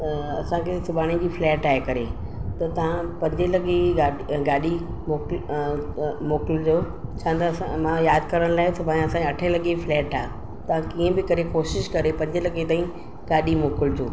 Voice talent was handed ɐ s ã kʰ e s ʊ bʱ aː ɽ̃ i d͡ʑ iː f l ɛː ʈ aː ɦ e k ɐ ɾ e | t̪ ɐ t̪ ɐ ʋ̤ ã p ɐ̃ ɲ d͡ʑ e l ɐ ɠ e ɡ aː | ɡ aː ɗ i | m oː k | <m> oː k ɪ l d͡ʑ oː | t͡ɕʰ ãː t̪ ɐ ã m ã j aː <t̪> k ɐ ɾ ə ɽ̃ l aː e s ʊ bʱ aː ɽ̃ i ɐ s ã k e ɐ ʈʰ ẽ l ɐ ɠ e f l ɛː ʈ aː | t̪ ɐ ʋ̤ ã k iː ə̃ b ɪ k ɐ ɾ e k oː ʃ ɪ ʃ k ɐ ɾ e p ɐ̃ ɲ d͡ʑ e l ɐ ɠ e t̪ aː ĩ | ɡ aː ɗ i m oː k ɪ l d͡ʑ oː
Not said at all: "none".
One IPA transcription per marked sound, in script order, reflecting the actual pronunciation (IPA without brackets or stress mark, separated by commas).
m, d̪